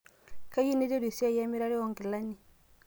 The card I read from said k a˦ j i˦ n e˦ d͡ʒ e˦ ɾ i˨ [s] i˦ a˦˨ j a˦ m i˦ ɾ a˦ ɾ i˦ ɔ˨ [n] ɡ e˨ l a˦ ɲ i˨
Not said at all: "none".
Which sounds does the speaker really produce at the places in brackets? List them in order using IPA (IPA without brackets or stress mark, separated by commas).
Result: s, ŋ